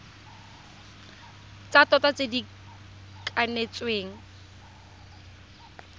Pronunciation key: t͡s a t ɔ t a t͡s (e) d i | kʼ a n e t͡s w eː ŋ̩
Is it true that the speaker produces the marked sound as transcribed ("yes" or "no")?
yes